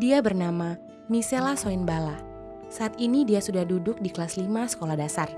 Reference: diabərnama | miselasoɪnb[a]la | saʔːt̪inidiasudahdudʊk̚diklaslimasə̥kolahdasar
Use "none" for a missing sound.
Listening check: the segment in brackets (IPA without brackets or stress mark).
a